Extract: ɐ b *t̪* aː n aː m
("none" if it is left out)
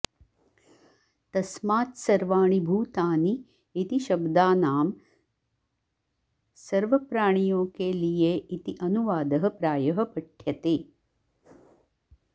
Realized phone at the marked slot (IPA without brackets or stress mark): d̪